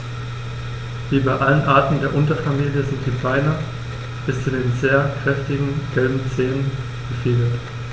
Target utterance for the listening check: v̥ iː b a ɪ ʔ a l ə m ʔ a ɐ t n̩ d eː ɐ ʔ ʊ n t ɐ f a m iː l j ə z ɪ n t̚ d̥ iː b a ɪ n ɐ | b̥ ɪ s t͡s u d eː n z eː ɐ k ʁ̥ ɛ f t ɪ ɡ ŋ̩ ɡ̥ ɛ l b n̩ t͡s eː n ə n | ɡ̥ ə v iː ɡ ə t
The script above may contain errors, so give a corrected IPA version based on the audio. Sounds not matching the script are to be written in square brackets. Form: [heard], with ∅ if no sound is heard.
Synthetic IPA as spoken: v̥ iː b a ɪ ʔ a l ə [n] ʔ a ɐ t n̩ d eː ɐ ʔ ʊ n t ɐ f a m iː l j ə z ɪ n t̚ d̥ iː b a ɪ n ɐ | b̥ ɪ s t͡s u d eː n z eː ɐ k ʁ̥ ɛ f t ɪ ɡ ŋ̩ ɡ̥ ɛ l b [m̩] t͡s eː n ə n | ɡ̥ ə [f] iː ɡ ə t